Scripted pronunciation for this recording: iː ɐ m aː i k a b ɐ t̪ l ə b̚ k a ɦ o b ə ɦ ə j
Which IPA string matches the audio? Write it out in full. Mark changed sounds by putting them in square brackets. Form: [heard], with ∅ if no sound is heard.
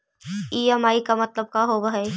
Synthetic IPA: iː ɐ m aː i k a [m] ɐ t̪ l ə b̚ k a ɦ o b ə ɦ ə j